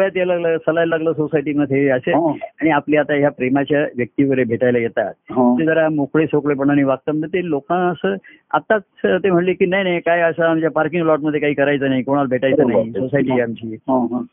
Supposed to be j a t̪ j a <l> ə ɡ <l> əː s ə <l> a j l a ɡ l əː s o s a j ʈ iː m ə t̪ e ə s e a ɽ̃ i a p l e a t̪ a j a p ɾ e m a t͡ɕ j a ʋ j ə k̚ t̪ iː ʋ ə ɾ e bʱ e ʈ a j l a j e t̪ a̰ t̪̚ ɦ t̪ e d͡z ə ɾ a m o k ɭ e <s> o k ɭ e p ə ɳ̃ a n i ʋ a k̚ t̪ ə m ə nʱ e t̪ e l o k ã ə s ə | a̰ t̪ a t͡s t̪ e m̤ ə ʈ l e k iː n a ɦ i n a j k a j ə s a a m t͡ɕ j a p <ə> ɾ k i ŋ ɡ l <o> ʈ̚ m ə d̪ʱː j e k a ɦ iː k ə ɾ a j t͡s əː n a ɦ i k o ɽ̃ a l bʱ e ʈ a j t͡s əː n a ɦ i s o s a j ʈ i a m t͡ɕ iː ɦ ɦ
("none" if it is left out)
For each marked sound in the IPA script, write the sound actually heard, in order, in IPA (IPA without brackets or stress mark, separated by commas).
l, l, l, s, a, ɔ